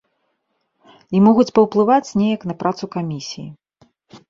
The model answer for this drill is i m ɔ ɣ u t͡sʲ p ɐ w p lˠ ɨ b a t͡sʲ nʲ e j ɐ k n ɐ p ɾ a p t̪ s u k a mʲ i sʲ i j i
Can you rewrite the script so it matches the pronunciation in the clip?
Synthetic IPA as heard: i m ɔ ɣ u t͡sʲ p ɐ w p lˠ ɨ v a t͡sʲ nʲ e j ɐ k n ɐ p ɾ a t̪ s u k a mʲ i sʲ i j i